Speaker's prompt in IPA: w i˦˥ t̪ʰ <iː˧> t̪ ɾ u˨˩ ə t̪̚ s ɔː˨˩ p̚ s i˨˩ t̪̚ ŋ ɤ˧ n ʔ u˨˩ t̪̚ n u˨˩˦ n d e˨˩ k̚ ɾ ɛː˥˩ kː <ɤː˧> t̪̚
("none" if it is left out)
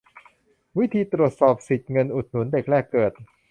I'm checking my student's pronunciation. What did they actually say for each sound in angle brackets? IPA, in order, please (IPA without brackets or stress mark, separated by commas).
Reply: iː˧, ɤː˨˩